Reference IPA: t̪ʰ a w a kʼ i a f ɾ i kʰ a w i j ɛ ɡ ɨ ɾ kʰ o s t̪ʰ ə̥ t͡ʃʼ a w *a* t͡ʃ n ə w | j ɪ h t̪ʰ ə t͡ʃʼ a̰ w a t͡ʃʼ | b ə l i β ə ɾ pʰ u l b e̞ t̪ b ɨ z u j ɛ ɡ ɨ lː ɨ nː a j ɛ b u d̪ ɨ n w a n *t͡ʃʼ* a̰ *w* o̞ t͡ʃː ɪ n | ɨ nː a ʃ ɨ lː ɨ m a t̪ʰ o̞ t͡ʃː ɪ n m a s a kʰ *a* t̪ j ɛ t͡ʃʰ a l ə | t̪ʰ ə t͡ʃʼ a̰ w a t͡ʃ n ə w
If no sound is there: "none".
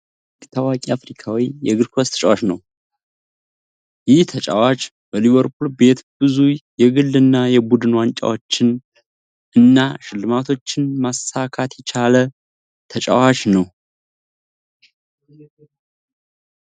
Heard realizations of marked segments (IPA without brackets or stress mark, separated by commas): a, t͡ʃʼ, w, a